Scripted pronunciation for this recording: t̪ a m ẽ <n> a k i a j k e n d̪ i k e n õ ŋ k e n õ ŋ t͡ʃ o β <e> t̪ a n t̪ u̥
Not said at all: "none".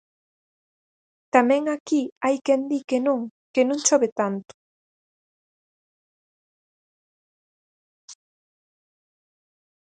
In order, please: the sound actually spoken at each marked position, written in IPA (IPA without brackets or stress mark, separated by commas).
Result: ŋ, e